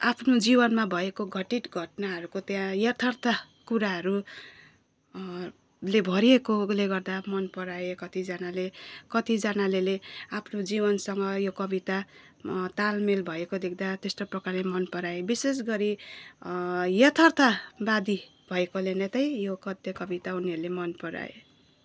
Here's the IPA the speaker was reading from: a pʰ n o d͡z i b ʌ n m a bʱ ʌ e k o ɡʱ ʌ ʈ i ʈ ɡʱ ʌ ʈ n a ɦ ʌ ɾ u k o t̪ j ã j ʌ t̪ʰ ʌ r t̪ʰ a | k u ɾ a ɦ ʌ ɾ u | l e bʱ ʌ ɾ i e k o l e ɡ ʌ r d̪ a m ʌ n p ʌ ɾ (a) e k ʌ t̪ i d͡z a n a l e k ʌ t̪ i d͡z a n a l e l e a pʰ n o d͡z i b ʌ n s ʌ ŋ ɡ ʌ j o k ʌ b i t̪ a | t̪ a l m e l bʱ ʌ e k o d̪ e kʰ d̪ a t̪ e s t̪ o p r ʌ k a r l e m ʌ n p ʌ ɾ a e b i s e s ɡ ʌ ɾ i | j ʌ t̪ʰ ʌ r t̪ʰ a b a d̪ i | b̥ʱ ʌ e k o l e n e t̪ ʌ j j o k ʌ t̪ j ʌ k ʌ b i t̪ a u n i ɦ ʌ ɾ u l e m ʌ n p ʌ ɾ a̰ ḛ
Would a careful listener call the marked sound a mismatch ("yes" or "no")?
no